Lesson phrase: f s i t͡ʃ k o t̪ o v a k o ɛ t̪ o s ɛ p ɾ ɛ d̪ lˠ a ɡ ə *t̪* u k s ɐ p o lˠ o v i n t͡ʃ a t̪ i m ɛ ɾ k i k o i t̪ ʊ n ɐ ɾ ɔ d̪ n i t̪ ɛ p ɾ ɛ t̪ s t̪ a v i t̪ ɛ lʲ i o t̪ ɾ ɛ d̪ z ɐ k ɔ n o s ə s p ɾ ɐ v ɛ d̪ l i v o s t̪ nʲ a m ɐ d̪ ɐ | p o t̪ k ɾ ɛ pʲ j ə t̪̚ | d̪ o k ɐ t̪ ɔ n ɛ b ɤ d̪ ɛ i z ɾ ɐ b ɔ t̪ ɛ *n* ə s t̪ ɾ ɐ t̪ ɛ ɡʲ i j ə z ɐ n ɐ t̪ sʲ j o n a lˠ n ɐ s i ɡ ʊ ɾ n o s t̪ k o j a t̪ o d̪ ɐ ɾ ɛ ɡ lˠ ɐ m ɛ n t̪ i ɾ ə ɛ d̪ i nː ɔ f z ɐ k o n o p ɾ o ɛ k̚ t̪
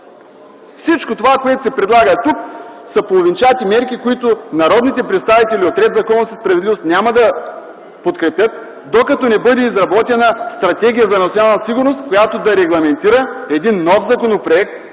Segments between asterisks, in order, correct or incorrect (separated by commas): correct, correct